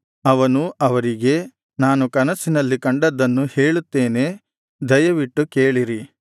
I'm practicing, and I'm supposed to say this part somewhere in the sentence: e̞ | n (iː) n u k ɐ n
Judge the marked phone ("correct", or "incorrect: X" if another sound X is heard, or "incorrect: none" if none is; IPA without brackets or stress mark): incorrect: aː